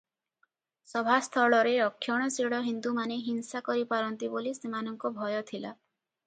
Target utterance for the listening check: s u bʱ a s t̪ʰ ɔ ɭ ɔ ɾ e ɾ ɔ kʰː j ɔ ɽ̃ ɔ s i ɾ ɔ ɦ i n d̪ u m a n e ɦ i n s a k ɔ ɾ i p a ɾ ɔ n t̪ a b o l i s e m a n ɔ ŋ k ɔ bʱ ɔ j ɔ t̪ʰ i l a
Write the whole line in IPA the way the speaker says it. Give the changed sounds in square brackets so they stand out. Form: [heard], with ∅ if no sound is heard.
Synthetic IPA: s [ɔ] bʱ a s t̪ʰ ɔ ɭ ɔ ɾ e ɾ ɔ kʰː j ɔ ɽ̃ ɔ s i [ɽ] ɔ ɦ i n d̪ u m a n e ɦ i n s a k ɔ ɾ i p a ɾ ɔ n t̪ [i] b o l i s e m a n ɔ ŋ k ɔ bʱ ɔ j ɔ t̪ʰ i l a